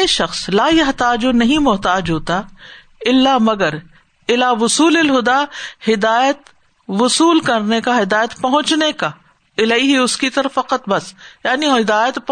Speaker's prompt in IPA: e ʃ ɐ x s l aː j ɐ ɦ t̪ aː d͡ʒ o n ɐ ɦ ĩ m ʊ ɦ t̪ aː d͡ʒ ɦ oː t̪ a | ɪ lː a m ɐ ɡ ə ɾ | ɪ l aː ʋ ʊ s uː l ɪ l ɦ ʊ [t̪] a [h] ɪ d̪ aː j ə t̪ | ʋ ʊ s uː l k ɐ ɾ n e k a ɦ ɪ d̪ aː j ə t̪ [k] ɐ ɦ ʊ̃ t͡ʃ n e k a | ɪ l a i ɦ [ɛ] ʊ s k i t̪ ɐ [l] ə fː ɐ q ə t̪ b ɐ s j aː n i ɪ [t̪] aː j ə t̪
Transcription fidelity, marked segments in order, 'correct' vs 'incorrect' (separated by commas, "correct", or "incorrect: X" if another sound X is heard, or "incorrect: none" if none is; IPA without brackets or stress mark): incorrect: d̪, correct, incorrect: p, incorrect: i, incorrect: ɾ, incorrect: d̪